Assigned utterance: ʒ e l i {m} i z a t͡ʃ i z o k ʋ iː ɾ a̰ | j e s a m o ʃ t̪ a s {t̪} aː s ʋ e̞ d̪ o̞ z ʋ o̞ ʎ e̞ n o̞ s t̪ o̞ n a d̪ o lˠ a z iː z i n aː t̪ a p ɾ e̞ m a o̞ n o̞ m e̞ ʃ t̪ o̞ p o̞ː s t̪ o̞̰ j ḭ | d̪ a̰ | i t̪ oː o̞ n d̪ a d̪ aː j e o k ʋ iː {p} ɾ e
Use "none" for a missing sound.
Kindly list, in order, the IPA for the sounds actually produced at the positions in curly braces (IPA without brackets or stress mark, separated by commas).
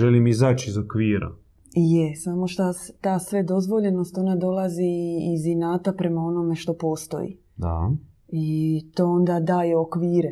m, t̪, none